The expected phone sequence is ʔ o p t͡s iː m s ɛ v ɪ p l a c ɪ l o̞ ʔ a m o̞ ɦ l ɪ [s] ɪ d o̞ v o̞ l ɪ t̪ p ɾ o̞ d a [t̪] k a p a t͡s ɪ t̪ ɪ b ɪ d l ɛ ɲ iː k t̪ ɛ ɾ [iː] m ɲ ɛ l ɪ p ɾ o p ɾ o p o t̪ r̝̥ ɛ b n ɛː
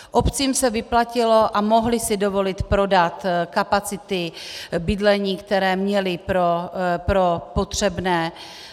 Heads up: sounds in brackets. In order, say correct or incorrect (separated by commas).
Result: correct, correct, incorrect